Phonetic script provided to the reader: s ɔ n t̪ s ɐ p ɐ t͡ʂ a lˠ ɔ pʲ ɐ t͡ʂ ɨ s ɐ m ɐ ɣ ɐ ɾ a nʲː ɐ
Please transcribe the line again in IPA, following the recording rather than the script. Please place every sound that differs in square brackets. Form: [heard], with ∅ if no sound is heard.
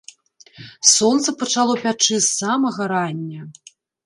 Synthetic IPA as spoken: s ɔ n t̪ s ɐ p ɐ t͡ʂ a lˠ ɔ pʲ [a] t͡ʂ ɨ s [a] m ɐ ɣ ɐ ɾ a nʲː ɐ